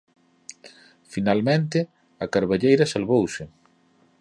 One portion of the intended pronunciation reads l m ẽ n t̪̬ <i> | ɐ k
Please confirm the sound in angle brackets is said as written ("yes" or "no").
no